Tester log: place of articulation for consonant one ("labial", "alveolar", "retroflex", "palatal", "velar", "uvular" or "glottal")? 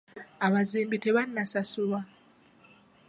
labial